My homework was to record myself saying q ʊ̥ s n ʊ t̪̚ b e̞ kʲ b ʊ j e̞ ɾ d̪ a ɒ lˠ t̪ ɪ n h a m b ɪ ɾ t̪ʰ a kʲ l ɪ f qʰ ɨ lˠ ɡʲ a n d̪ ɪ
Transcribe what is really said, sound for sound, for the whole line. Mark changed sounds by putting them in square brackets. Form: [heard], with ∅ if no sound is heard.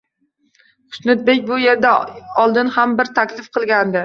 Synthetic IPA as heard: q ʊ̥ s n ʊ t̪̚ b e̞ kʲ b ʊ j e̞ ɾ d̪ a ɒ lˠ [d̪] ɪ n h a m b ɪ ɾ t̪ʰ a kʲ l ɪ f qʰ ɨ lˠ ɡʲ a n d̪ ɪ